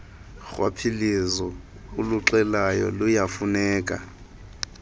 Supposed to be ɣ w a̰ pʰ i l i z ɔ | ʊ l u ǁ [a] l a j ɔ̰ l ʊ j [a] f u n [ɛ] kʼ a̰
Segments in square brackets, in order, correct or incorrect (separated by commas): incorrect, correct, incorrect